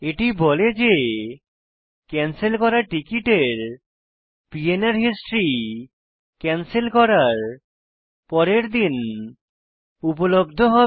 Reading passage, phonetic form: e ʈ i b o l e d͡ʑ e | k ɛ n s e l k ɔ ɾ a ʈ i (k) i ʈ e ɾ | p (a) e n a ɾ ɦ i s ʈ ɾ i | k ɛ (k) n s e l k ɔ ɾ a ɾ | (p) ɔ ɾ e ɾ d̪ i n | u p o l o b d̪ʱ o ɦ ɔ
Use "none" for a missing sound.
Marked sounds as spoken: k, i, none, p

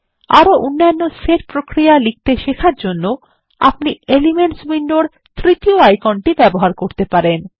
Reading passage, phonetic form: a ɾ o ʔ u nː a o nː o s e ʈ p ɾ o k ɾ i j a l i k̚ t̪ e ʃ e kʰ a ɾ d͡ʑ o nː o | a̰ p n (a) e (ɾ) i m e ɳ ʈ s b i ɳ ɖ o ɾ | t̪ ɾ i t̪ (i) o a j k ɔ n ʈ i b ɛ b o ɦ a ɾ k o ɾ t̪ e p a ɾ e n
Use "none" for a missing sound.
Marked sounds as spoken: i, l, i

